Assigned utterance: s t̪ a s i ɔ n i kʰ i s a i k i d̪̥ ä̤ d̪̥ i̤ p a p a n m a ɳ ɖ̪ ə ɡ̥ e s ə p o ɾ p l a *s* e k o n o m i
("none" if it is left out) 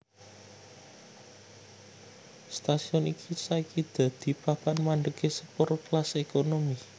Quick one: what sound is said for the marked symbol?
s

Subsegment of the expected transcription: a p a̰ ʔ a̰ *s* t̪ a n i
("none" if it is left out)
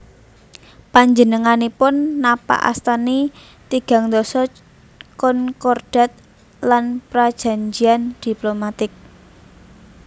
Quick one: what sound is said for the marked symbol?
s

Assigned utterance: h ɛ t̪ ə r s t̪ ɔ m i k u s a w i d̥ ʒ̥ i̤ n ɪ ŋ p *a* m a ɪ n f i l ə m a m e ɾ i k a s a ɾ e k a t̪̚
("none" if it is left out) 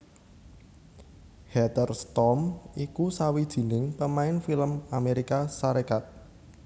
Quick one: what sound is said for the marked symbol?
ə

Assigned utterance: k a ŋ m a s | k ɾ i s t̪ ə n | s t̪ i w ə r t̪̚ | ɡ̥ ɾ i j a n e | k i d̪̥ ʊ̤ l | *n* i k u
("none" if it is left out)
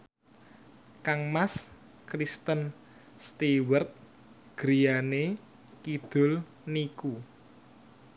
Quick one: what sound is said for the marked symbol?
n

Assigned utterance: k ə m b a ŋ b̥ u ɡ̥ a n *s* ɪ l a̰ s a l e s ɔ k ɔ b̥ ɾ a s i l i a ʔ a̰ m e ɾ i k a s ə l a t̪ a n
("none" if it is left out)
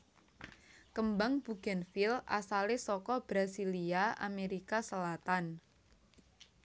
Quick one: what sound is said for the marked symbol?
f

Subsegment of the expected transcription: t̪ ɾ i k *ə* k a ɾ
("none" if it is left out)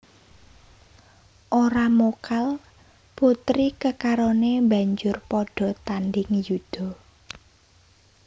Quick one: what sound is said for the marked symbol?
ə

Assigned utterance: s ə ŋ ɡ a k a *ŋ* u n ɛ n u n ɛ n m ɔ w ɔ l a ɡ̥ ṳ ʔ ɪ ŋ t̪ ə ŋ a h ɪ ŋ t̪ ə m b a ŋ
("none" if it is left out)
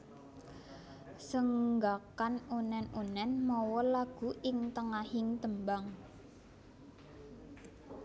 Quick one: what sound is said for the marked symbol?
n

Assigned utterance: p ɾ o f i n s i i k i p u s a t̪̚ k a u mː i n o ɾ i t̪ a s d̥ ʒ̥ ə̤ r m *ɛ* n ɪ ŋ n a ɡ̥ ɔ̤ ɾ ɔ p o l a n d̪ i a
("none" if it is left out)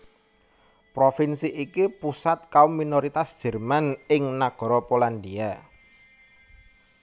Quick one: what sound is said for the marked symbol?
a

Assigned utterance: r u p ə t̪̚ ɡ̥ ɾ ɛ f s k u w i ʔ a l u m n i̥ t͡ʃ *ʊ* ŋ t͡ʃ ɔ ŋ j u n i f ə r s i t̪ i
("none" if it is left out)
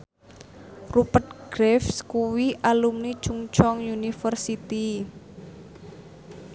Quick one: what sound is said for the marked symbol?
u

